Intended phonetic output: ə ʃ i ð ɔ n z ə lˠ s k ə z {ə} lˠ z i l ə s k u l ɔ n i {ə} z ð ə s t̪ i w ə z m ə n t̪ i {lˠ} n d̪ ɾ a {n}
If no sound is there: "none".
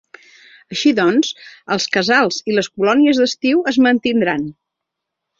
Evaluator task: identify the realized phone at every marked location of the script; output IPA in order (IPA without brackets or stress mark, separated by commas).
a, ə, none, n